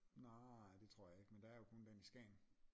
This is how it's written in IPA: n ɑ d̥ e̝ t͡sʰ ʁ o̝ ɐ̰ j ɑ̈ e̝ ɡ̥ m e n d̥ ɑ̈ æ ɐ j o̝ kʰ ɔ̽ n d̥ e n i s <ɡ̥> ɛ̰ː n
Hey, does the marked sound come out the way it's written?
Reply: yes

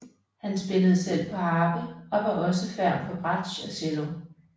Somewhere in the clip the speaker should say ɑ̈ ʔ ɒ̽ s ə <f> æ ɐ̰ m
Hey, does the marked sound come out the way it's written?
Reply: yes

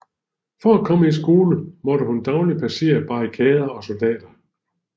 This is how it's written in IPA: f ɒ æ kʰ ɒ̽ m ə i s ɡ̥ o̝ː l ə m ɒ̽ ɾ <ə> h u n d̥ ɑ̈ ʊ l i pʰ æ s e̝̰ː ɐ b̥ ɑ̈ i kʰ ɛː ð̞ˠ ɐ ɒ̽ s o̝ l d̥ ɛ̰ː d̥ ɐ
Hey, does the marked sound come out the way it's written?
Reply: yes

